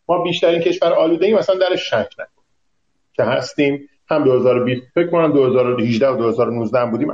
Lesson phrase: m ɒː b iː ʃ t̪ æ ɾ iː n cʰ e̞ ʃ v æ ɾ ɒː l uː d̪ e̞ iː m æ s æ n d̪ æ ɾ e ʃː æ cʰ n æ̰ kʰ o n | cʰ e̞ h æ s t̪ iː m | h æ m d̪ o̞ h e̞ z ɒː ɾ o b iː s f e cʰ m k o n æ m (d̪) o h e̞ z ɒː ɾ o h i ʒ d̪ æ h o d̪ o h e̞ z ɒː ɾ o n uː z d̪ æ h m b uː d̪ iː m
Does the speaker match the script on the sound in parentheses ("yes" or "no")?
yes